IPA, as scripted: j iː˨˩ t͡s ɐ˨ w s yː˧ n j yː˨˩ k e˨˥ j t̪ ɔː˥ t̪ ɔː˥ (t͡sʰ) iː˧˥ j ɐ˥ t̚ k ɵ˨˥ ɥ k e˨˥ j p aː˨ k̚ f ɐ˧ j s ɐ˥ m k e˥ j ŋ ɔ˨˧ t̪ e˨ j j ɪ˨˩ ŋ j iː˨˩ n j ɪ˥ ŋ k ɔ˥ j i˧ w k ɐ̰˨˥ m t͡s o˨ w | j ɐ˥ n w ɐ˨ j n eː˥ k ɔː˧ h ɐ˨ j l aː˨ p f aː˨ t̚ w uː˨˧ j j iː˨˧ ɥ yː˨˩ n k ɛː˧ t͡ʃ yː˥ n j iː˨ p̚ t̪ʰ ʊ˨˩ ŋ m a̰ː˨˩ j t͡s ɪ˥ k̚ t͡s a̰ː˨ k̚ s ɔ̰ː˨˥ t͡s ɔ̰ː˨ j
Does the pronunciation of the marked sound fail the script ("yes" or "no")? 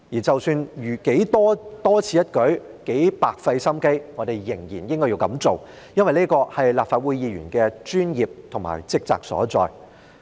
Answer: no